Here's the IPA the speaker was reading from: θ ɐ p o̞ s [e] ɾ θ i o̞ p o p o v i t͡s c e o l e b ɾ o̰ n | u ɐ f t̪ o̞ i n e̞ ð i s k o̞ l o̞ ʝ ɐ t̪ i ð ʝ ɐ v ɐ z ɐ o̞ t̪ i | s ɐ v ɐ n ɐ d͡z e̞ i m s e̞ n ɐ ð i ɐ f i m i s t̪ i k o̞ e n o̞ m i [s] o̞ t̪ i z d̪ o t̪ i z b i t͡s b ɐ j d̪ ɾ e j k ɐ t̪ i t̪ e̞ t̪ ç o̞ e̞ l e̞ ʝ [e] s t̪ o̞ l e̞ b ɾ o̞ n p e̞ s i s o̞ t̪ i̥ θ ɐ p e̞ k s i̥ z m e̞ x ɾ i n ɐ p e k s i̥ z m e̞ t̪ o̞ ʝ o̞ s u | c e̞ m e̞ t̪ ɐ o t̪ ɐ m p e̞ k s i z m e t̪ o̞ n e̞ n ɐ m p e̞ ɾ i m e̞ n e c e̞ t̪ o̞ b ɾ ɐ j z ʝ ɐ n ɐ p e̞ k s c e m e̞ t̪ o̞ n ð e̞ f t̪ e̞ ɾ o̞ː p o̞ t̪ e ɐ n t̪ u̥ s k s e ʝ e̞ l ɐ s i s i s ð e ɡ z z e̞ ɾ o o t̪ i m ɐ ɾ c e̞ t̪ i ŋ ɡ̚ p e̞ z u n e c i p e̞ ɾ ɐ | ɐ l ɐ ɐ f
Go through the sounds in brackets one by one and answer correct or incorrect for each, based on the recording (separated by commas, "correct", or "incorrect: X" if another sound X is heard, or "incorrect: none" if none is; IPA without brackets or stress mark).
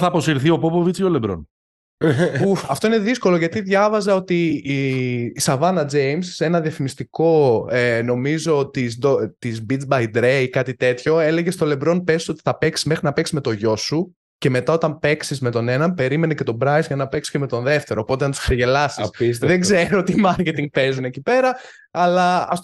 incorrect: i, incorrect: z, correct